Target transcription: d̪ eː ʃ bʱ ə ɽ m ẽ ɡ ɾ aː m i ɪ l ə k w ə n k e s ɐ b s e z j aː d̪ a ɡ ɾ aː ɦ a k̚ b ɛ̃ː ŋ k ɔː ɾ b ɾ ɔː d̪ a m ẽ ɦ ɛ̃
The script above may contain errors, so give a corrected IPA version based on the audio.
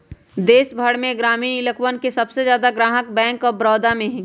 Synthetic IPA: d̪ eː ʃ bʱ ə ɽ m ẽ ɡ ɾ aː m i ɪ l ə k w ə n k e s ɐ b s e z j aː d̪ a ɡ ɾ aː ɦ ə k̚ b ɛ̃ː ŋ k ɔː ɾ b ɾ ɔː d̪ a m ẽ ɦ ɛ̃